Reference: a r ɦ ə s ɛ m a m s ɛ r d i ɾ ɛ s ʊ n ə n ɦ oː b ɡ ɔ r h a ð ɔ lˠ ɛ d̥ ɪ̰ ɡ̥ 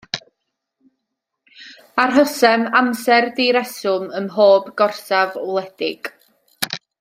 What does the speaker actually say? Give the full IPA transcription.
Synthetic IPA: a r ɦ ə s ɛ m a m s ɛ r d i ɾ ɛ s ʊ m ə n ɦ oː b ɡ ɔ r s a v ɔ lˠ ɛ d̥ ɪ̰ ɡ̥